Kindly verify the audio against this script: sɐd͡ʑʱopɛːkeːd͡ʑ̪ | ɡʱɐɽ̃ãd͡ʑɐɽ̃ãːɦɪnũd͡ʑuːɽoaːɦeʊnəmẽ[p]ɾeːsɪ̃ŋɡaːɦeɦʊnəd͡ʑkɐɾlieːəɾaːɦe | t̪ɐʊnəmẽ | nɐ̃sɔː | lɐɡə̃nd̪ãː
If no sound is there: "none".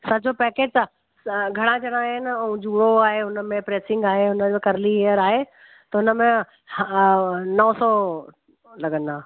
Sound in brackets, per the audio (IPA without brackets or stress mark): p